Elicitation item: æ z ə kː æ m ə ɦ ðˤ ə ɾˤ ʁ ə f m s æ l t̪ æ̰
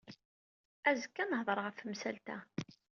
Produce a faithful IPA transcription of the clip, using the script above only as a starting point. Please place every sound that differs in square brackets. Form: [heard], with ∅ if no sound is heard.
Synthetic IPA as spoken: æ z ə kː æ [n] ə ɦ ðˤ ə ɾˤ ʁ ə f m s æ l t̪ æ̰

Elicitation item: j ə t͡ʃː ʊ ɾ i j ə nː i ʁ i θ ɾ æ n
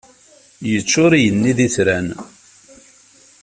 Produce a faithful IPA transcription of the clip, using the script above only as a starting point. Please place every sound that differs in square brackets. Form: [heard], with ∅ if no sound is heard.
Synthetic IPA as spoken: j ə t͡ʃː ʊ ɾ i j ə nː i [ð] i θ ɾ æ n

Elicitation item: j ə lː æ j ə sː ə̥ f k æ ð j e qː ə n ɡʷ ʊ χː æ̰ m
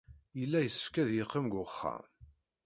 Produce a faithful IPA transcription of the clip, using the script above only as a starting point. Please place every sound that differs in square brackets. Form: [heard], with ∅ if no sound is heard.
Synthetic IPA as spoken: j ə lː æ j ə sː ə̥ f k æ ð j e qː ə [m] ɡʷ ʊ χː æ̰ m

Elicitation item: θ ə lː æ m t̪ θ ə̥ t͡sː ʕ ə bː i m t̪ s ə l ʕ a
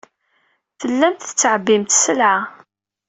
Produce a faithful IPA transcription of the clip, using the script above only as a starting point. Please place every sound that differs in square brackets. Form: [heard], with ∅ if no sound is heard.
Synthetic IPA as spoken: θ ə lː æ m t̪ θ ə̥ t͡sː ʕ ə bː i m t̪ s ə l ʕ a

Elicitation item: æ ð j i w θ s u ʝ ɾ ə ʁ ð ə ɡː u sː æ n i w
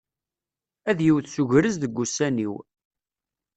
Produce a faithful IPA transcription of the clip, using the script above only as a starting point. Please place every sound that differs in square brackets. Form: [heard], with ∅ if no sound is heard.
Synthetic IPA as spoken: æ ð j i w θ s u ʝ ɾ ə [z] ð ə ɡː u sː æ n i w

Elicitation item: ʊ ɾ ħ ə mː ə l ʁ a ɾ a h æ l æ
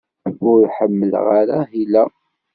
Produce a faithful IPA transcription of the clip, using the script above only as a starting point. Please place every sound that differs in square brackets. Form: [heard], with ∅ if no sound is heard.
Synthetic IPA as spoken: ʊ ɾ ħ ə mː ə l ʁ a ɾ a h [i] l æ

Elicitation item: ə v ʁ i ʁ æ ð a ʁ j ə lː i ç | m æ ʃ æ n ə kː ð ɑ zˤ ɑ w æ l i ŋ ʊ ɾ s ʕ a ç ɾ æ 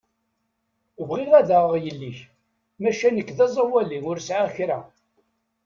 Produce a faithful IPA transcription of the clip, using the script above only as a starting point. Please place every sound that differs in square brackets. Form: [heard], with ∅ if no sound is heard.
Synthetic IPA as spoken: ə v ʁ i ʁ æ ð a ʁ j ə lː i ç | m æ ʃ æ n ə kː ð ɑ zˤ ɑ w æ l i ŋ ʊ ɾ s ʕ a ç ɾ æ

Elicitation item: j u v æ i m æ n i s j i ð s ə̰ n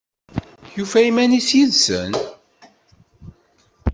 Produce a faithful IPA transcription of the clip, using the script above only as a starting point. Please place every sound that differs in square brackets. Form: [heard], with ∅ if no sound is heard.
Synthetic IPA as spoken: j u [f] æ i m æ n i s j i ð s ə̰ n

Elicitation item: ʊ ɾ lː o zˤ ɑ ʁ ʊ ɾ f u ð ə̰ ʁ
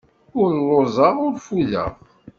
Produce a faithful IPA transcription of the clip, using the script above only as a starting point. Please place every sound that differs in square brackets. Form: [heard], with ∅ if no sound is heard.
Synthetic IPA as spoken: ʊ ɾ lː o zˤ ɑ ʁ ʊ ɾ f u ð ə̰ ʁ

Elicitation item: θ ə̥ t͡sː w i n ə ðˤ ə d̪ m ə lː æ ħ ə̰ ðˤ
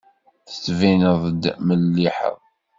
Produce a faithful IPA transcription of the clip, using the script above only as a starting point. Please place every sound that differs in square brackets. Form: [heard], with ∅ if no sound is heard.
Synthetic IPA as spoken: θ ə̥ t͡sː [v] i n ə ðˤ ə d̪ m ə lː [i] ħ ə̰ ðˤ

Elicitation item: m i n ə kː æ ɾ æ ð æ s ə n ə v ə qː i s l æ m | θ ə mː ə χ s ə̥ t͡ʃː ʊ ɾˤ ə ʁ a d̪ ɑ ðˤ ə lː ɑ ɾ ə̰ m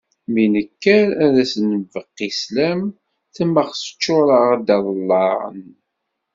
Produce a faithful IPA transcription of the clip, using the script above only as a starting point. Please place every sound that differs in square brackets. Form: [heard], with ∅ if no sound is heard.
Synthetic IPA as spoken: m i n ə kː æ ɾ æ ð æ s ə n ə v ə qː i s l æ m | θ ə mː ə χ s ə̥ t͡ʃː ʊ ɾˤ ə ʁ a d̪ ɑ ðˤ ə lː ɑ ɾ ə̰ [n]

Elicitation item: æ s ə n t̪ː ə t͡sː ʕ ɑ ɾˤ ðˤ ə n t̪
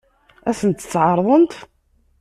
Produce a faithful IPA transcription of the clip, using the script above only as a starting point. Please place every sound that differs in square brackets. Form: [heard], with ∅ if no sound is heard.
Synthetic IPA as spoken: æ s ə n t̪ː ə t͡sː ʕ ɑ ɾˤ ðˤ ə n t̪

